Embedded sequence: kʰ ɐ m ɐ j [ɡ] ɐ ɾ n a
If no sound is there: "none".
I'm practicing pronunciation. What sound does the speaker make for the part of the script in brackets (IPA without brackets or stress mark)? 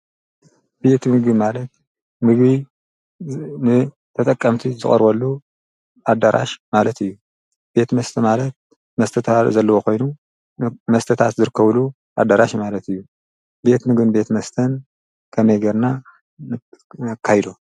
ɡ